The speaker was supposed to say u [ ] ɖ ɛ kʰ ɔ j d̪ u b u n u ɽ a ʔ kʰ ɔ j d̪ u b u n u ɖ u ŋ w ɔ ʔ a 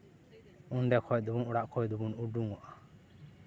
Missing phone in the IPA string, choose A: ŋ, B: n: B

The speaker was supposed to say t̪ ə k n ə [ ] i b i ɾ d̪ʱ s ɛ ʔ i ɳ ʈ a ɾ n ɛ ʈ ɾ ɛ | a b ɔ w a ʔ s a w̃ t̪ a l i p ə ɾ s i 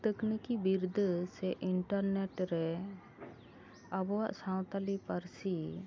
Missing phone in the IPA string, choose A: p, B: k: B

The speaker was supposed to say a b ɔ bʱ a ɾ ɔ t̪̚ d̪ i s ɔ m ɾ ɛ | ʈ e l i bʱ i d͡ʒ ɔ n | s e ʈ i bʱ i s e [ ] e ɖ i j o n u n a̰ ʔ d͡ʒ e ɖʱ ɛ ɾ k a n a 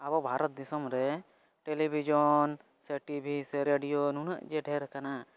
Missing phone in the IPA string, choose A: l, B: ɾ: B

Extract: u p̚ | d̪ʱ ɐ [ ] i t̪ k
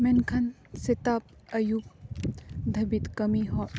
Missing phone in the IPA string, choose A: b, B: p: A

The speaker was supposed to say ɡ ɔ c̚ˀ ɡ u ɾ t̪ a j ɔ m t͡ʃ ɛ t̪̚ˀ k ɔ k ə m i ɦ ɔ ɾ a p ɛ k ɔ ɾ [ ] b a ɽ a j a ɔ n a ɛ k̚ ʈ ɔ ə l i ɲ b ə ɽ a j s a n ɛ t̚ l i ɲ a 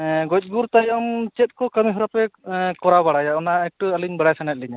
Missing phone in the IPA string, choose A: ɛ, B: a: B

